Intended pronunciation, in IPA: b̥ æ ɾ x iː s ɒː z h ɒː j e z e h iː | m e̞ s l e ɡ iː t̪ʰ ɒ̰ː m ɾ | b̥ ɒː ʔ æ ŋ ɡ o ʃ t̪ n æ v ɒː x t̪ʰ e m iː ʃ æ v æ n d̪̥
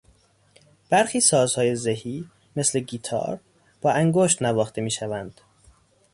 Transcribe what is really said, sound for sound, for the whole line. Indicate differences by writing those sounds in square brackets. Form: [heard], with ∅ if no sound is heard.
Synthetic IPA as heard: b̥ æ ɾ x iː s ɒː z h ɒː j e z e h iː | m e̞ s l e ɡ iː t̪ʰ ɒ̰ː [∅] ɾ | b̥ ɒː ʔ æ ŋ ɡ o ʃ t̪ n æ v ɒː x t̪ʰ e m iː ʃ æ v æ n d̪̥